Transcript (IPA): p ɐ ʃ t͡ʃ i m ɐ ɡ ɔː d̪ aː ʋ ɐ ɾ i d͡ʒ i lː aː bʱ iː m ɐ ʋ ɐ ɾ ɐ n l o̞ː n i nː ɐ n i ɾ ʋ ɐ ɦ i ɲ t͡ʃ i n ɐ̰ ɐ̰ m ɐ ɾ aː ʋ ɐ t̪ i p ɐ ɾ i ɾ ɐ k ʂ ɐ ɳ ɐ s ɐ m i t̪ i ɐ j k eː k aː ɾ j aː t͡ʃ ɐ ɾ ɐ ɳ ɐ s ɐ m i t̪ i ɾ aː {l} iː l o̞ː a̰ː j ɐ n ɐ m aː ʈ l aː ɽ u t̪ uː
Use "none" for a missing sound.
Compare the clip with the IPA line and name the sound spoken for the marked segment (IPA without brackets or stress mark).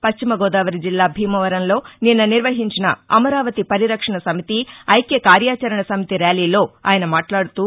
l